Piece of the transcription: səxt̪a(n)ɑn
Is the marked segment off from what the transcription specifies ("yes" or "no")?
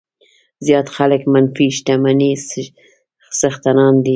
no